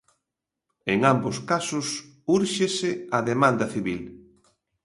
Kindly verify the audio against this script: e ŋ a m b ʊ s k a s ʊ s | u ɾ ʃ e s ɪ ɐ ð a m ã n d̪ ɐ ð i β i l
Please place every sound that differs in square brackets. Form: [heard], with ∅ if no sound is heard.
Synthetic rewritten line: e ŋ a m b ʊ s k a s ʊ s | u ɾ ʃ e s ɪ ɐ ð [e] m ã n d̪ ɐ [θ] i β i l